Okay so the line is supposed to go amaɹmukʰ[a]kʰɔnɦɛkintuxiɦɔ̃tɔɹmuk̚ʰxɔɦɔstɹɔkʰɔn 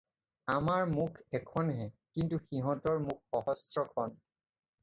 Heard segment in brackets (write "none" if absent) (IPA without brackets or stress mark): ɛ